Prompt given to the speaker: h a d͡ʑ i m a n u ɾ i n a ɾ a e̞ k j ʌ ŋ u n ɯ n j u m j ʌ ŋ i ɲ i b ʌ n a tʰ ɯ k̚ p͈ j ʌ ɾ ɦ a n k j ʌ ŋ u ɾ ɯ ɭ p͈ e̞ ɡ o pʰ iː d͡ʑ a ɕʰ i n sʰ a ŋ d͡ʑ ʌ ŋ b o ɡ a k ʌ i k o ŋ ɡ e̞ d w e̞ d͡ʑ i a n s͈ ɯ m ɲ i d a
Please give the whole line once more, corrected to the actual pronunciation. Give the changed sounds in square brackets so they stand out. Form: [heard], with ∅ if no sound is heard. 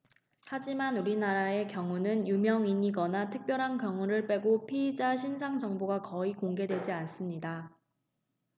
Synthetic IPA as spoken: h a d͡ʑ i m a n u ɾ i n a ɾ a e̞ k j ʌ ŋ u n ɯ n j u m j ʌ ŋ i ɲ i [ɡ] ʌ n a tʰ ɯ k̚ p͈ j ʌ ɾ ɦ a n k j ʌ ŋ u ɾ ɯ ɭ p͈ e̞ ɡ o pʰ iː d͡ʑ a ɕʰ i n sʰ a ŋ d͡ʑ ʌ ŋ b o ɡ a k ʌ i k o ŋ ɡ e̞ d w e̞ d͡ʑ i a n s͈ ɯ m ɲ i d a

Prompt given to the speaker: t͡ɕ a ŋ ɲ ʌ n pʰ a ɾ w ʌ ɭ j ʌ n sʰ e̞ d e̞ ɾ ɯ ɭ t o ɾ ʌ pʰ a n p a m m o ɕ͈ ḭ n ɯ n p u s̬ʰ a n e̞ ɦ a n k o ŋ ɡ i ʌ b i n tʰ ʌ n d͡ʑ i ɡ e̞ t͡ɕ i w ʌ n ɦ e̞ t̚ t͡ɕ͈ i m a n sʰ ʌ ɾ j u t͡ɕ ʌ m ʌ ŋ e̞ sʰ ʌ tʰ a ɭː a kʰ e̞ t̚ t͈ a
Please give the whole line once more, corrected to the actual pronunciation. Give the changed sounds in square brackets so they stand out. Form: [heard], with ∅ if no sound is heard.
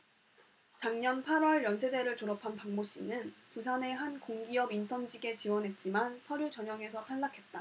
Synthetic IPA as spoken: t͡ɕ a ŋ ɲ ʌ n pʰ a ɾ w ʌ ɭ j ʌ n sʰ e̞ d e̞ ɾ ɯ ɭ t o ɾ ʌ pʰ a n p a [ŋ] m o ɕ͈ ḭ n ɯ n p u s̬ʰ a n e̞ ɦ a n k o ŋ ɡ i ʌ b i n tʰ ʌ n d͡ʑ i ɡ e̞ t͡ɕ i w ʌ n ɦ e̞ t̚ t͡ɕ͈ i m a n sʰ ʌ ɾ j u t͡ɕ ʌ [ɲ] ʌ ŋ e̞ sʰ ʌ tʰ a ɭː a kʰ e̞ t̚ t͈ a

